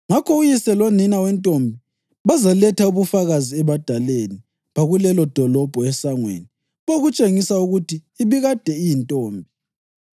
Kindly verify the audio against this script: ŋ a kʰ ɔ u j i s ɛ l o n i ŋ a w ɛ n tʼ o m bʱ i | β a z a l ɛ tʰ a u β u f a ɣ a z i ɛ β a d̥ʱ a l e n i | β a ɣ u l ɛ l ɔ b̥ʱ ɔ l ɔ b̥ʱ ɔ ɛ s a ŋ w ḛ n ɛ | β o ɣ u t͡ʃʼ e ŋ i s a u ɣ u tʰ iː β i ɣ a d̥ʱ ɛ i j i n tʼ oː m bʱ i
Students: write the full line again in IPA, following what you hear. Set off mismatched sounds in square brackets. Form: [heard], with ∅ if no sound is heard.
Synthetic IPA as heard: ŋ a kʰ ɔ u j i s ɛ l o n i [n] a w ɛ n tʼ o m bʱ i | β a z a l ɛ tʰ a u β u f a ɣ a z i ɛ β a d̥ʱ a l e n i | β a ɣ u l ɛ l ɔ [d̥ʱ] ɔ l ɔ b̥ʱ ɔ ɛ s a ŋ w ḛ n [i] | β o ɣ u t͡ʃʼ e ŋ i s a u ɣ u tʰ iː β i ɣ a d̥ʱ ɛ i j i n tʼ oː m bʱ i